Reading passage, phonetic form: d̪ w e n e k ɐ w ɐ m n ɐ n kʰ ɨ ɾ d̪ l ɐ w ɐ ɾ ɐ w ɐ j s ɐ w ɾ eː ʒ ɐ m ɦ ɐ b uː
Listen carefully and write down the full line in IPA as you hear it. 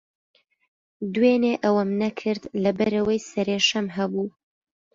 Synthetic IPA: d̪ w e n e ʔ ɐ w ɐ m n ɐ kʰ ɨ ɾ d̪ l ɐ b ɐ ɾ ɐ w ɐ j s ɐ ɾ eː ʃ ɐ m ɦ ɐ b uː